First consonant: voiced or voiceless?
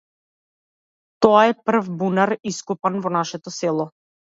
voiceless